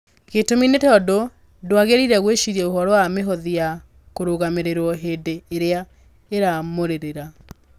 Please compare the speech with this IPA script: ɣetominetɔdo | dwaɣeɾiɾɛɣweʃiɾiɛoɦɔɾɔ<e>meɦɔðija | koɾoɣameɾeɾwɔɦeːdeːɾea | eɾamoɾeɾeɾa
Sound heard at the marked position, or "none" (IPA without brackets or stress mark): a